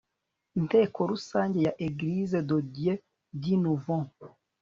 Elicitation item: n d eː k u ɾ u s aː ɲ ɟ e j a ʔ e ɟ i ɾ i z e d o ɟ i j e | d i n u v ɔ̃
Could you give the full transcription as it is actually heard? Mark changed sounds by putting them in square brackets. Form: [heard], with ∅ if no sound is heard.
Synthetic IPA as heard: n [t] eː k [o] ɾ u s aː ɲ ɟ e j a ʔ e [ɡ] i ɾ i z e d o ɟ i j e | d i n u v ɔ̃